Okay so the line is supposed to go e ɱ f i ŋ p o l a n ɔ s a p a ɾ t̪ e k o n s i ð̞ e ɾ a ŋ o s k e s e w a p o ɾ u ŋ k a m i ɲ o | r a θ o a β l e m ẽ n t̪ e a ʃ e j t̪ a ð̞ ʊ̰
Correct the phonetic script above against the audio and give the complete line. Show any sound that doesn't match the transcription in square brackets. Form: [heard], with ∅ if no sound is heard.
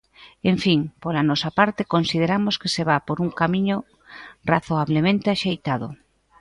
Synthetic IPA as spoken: e ɱ f i ŋ p o l a n ɔ s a p a ɾ t̪ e k o n s i ð̞ e ɾ a [m] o s k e s e [β] a p o ɾ u ŋ k a m i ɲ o | r a θ o a β l e m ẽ n t̪ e a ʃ e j t̪ a ð̞ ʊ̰

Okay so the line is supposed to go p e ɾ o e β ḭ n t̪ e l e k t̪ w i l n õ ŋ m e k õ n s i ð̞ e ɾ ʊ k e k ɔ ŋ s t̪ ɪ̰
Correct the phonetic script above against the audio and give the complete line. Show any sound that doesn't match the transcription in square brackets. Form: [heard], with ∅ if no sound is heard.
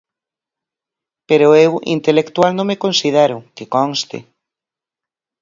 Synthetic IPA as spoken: p e ɾ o e [w] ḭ n t̪ e l e k t̪ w [a] l n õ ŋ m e k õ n s i ð̞ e ɾ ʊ k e k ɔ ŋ s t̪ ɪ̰

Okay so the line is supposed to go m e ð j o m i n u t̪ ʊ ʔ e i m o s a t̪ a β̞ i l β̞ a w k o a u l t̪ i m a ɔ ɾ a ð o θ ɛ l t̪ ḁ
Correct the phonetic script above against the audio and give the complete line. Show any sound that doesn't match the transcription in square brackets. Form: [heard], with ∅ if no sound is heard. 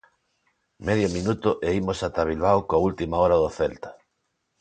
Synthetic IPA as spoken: m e ð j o m i n u t̪ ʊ ʔ e i m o s a t̪ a β̞ i l β̞ a w k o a u l t̪ i m a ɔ ɾ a ð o θ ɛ l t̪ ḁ

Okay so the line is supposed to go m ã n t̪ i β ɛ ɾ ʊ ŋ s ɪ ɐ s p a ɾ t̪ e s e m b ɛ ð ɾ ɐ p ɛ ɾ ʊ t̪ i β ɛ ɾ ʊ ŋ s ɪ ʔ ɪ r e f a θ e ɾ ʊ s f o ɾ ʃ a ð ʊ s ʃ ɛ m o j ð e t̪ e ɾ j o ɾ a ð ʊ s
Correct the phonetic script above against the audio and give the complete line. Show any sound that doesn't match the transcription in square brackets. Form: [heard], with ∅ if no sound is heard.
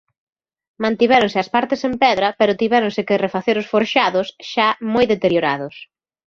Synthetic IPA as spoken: m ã n t̪ i β ɛ ɾ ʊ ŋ s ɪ ɐ s p a ɾ t̪ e s e m [p] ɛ ð ɾ ɐ p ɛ ɾ ʊ t̪ i β ɛ ɾ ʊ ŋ s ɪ [k] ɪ r e f a θ e ɾ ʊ s f o ɾ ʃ a ð ʊ s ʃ [a] m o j ð e t̪ e ɾ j o ɾ a ð ʊ s

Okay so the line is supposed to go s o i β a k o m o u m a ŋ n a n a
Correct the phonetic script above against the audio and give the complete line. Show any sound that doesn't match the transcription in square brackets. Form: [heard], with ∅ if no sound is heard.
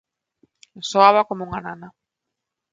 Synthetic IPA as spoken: s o [a] β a k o m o u [ŋ] a [∅] n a n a

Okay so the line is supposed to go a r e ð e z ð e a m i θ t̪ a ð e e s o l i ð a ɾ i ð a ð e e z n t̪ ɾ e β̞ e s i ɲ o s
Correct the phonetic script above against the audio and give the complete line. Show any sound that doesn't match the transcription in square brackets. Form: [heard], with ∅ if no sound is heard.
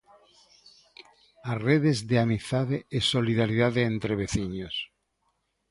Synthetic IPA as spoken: a r e ð e z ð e a m i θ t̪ a ð e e s o l i ð a ɾ i ð a ð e e [∅] n t̪ ɾ e β̞ e [θ] i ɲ o s

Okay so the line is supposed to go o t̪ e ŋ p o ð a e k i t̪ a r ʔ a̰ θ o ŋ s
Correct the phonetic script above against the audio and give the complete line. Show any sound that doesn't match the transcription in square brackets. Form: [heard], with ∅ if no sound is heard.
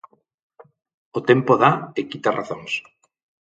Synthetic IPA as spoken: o t̪ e [m] p o ð a e k i t̪ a r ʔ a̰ θ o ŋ s

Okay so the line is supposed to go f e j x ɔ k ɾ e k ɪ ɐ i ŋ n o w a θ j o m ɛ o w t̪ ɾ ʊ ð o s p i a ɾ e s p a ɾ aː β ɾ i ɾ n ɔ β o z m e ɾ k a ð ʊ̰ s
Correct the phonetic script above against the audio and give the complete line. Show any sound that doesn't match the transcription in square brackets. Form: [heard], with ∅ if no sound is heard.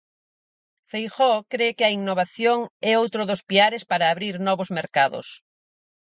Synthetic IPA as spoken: f e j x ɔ k ɾ e k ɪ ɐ i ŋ n o [β] a θ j o [ŋ] ɛ o w t̪ ɾ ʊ ð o s p i a ɾ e s p a ɾ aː β ɾ i ɾ n ɔ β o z m e ɾ k a ð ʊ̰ s

